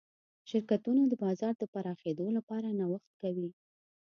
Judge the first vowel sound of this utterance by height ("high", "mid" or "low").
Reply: high